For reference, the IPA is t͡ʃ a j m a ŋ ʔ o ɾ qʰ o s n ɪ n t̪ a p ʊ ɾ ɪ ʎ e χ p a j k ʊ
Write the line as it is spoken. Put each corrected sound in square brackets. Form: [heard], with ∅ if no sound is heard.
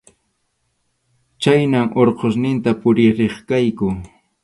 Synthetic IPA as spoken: t͡ʃ a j [n] a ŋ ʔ o ɾ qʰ o s n ɪ n t̪ a p ʊ ɾ ɪ [ɾ] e χ [k] a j k ʊ